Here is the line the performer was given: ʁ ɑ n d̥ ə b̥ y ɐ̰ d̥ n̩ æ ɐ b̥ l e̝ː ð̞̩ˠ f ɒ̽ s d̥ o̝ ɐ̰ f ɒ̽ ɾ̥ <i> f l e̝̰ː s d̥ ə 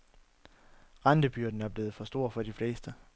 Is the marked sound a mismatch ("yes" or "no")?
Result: no